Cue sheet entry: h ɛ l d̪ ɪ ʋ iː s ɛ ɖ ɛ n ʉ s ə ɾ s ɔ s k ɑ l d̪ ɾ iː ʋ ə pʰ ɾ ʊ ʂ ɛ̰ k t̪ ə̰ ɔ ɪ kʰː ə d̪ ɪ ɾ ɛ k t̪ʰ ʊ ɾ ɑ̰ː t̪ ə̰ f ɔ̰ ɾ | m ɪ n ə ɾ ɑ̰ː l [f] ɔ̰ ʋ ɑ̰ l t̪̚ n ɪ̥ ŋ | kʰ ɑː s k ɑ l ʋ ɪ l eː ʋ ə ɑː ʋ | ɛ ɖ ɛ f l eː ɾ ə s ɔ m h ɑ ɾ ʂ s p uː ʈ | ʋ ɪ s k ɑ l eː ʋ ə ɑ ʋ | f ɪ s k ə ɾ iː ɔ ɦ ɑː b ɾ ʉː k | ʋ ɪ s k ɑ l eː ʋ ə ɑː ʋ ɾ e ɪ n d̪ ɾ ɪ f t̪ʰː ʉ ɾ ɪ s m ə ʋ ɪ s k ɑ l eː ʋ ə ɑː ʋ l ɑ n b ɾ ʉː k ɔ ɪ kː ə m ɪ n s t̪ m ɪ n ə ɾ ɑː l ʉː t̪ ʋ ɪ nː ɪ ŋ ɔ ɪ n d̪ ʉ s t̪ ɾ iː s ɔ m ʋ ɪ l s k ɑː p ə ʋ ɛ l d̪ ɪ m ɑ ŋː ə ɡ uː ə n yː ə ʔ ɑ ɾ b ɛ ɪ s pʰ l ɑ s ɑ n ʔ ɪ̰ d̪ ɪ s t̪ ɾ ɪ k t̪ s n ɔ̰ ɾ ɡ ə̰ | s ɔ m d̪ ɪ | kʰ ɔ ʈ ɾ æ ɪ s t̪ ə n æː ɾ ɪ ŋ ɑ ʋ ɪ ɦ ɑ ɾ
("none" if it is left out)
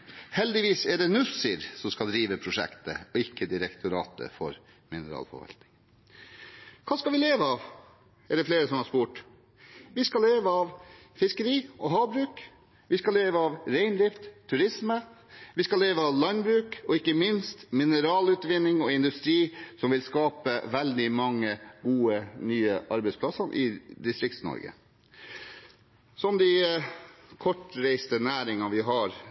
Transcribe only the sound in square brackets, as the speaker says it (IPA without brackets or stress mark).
f